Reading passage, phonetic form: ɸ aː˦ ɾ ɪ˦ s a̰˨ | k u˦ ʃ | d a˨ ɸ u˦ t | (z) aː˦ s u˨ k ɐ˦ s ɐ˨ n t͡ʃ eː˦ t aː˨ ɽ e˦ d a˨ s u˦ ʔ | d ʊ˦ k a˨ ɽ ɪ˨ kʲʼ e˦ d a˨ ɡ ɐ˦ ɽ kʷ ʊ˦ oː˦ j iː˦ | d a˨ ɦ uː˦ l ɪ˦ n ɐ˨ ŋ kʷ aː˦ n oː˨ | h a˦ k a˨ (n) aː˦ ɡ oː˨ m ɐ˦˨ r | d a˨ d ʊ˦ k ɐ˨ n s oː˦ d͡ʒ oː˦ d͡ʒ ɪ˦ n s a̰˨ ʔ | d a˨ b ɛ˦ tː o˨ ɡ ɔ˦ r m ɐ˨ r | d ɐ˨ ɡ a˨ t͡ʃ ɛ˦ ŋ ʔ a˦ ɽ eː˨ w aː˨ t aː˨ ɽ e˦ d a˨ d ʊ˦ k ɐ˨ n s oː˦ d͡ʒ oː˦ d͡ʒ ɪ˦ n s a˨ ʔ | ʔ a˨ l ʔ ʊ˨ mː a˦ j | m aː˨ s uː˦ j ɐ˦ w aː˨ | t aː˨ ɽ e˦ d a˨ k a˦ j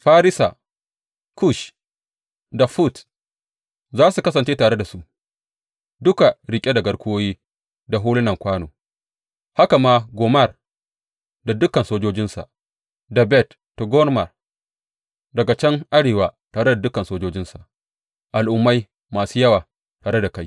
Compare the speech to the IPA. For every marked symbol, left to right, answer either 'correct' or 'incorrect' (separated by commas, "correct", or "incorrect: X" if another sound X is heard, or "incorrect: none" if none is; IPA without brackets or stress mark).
correct, incorrect: m